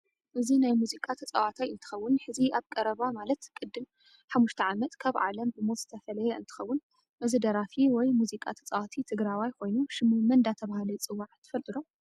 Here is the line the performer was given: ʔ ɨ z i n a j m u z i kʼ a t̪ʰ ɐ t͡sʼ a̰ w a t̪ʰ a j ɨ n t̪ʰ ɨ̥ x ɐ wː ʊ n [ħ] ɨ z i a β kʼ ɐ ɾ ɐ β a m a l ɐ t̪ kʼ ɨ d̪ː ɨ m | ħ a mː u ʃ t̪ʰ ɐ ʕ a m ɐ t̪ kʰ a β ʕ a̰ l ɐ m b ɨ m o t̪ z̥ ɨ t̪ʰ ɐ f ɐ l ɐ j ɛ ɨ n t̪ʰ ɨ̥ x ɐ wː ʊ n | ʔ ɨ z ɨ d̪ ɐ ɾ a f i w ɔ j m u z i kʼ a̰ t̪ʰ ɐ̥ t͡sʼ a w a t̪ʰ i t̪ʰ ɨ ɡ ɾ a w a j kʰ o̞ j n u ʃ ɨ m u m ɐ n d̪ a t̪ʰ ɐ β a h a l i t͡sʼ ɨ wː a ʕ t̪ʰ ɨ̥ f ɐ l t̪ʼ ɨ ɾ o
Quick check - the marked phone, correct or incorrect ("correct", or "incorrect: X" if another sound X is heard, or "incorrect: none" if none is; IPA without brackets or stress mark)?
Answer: correct